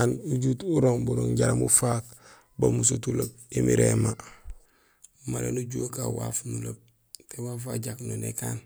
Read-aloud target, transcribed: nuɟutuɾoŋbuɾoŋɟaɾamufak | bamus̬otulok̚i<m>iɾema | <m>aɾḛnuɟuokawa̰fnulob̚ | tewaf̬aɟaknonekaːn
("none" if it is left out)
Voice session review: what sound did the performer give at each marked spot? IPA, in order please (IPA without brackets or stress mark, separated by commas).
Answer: m, m